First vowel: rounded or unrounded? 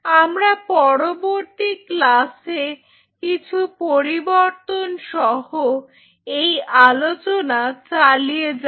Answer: unrounded